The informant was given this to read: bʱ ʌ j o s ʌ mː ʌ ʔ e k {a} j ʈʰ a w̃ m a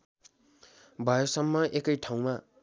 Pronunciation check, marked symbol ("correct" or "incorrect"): incorrect